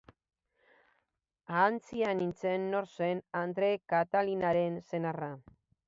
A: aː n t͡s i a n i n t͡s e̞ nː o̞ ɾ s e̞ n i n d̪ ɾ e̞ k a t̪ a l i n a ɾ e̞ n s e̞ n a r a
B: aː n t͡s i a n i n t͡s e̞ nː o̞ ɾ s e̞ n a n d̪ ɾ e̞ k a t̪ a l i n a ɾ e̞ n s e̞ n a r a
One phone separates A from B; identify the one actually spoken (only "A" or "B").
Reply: B